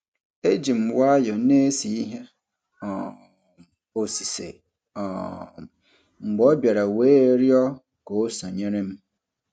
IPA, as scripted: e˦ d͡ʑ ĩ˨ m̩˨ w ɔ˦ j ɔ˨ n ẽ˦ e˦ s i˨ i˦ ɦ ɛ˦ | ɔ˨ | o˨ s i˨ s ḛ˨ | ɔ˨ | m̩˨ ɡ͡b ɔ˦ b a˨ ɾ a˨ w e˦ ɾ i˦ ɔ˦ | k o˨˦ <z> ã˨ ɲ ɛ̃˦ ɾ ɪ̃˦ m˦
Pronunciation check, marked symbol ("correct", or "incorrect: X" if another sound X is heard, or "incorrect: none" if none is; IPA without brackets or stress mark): incorrect: s